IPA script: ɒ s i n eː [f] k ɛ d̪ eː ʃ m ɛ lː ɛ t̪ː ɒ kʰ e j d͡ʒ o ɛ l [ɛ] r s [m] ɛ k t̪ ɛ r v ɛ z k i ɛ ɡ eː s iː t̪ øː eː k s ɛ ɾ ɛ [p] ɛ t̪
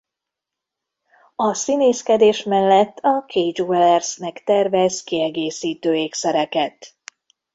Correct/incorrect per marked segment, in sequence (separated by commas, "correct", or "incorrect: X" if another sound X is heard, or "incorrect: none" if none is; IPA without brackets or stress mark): incorrect: s, correct, incorrect: n, incorrect: k